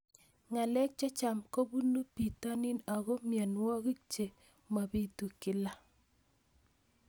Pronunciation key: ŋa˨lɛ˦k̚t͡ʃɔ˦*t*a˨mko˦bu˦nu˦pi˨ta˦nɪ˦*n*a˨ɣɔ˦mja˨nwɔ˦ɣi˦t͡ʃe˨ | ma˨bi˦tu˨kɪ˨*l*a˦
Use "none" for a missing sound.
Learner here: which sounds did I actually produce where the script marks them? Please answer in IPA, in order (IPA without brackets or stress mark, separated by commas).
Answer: t͡ʃ, n, l